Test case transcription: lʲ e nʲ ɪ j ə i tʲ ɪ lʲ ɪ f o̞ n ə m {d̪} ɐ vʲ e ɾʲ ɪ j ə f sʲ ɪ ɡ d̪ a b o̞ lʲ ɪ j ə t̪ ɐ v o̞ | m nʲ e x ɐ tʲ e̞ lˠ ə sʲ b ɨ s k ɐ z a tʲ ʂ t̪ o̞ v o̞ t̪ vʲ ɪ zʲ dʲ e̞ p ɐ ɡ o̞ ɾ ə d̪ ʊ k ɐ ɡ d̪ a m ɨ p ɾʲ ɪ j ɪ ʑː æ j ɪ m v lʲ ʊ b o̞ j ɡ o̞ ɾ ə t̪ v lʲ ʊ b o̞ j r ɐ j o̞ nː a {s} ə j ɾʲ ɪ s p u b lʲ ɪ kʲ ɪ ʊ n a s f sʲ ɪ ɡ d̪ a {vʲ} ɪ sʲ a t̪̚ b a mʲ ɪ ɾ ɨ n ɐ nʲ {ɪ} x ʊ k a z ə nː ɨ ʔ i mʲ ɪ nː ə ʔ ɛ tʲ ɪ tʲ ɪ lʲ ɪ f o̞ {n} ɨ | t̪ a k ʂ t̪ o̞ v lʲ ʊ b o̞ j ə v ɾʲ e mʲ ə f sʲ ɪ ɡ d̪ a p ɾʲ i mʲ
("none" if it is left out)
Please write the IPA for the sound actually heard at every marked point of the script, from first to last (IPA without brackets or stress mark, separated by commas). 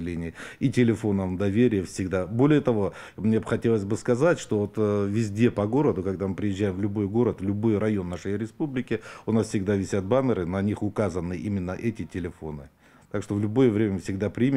d̪, ʂ, vʲ, i, n